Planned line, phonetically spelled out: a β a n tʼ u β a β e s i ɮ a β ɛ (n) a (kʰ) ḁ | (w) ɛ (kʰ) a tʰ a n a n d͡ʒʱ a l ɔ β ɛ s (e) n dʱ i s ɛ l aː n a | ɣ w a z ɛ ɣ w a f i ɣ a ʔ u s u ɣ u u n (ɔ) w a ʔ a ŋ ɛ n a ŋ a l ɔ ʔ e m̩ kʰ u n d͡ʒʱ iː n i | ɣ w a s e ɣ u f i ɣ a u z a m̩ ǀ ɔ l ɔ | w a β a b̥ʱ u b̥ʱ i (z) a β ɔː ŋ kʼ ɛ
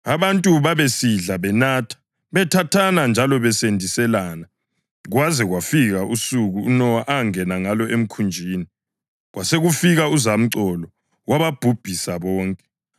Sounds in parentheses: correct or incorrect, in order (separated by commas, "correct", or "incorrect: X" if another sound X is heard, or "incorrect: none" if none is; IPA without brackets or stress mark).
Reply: correct, incorrect: tʰ, incorrect: β, incorrect: tʰ, correct, correct, incorrect: s